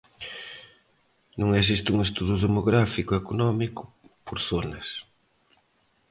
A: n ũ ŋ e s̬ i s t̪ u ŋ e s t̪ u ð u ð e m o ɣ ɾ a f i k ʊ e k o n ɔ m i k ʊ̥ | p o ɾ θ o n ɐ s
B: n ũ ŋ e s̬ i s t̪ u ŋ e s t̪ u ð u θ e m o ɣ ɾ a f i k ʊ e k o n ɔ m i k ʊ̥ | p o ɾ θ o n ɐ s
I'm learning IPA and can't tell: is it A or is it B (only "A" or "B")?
A